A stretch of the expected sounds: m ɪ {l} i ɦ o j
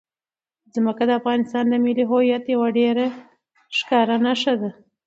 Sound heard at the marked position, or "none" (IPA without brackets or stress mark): l